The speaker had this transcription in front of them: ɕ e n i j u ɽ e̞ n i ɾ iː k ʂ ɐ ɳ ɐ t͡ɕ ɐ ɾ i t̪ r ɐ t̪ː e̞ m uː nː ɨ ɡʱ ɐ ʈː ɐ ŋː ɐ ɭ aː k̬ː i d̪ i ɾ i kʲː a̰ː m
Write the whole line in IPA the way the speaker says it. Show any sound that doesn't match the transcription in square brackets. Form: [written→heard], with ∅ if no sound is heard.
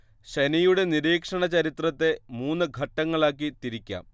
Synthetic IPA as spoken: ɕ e n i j u ɽ e̞ n i ɾ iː k ʂ ɐ ɳ ɐ t͡ɕ ɐ ɾ i t̪ r ɐ t̪ː e̞ m uː nː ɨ ɡʱ ɐ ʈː ɐ ŋː ɐ ɭ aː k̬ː i [d̪→t̪] i ɾ i kʲː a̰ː m